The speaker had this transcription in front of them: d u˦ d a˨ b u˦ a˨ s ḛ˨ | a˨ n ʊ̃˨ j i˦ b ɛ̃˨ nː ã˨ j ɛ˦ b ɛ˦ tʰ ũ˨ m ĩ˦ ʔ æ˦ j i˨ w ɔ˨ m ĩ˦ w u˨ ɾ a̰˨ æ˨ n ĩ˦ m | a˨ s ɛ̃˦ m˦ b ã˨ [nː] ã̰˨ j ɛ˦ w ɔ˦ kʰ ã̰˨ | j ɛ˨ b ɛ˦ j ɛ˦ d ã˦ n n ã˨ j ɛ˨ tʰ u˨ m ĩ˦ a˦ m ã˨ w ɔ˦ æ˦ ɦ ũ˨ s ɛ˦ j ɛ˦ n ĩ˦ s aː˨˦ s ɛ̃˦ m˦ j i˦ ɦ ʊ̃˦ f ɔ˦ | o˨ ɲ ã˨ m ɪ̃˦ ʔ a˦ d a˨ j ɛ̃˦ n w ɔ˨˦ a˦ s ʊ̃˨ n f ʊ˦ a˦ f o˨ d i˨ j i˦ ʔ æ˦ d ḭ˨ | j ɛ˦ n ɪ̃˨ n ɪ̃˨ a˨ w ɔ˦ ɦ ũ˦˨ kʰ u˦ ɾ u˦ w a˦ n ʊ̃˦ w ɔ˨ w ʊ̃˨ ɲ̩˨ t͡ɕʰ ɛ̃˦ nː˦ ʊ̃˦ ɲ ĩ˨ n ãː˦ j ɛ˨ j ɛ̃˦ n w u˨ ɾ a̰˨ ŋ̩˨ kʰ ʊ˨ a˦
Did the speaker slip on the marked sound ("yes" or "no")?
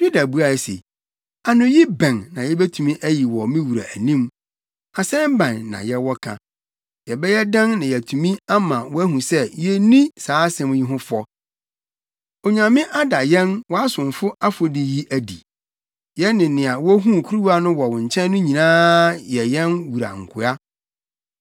no